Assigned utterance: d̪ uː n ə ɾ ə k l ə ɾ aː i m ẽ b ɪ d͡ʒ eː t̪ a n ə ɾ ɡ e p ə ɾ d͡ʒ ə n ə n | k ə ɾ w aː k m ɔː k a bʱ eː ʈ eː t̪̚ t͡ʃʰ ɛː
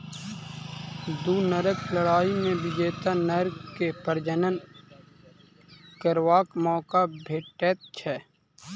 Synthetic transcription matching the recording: d̪ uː n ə ɾ ə k l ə ɽ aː i m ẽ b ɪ d͡ʒ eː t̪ a n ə ɾ k e p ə ɾ d͡ʒ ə n ə n | k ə ɾ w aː k m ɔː k a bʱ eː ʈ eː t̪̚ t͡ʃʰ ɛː